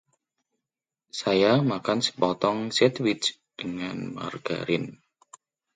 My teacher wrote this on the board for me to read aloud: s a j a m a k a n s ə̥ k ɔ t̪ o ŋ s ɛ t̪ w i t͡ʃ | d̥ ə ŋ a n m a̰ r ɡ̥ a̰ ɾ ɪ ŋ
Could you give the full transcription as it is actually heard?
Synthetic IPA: s a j a m a k a n s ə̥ p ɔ t̪ ɔ ŋ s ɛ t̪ w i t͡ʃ | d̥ ə ŋ a n m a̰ r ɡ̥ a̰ ɾ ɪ n